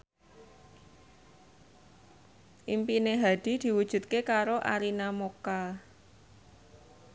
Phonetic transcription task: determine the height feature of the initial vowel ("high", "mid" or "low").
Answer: high